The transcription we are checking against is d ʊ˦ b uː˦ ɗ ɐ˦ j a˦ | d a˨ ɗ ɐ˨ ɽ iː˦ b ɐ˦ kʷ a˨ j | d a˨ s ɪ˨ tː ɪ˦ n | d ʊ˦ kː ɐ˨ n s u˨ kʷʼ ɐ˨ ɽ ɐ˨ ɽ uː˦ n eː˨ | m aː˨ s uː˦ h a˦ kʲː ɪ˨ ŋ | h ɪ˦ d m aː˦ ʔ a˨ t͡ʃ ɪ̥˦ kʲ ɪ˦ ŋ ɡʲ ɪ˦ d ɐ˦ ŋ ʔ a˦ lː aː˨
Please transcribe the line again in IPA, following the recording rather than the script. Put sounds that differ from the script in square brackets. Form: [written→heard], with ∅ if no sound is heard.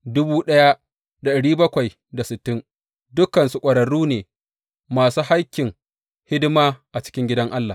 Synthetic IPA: d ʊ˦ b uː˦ ɗ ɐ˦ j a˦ | d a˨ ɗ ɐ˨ ɽ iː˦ b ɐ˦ kʷ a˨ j | d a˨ s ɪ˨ tː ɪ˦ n | d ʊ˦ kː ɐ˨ n s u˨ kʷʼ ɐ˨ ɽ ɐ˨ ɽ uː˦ n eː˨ | m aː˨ s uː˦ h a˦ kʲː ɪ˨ ŋ | h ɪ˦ d m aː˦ ʔ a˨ t͡ʃ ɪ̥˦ kʲ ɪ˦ ŋ ɡʲ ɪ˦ d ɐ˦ ŋ ʔ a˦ lː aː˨